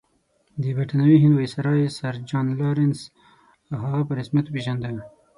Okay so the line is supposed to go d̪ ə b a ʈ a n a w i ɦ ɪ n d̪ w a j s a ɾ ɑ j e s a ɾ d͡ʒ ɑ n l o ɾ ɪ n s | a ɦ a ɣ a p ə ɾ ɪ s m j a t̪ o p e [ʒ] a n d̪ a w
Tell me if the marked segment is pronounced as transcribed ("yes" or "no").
yes